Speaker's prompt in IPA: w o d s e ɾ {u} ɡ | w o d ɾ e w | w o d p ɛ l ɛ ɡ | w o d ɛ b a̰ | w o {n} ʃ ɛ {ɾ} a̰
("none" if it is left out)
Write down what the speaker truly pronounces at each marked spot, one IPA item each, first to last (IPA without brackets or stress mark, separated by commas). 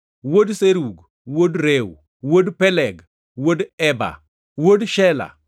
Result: u, d, l